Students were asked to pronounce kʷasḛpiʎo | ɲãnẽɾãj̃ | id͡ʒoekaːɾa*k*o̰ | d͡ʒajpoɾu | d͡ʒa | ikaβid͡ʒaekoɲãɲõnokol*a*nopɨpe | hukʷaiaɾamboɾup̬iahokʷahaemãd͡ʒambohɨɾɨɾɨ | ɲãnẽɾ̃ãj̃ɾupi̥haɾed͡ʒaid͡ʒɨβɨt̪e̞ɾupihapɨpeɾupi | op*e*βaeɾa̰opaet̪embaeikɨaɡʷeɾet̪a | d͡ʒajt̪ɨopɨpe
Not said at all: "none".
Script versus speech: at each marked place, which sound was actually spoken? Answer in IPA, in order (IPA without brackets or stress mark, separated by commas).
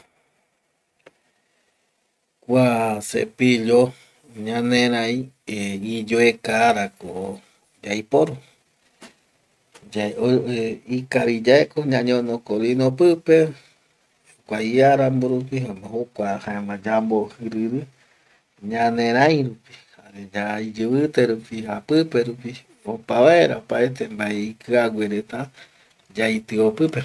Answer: k, i, a